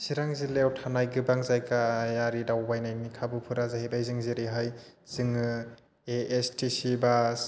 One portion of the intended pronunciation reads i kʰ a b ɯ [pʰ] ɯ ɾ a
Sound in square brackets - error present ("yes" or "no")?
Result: no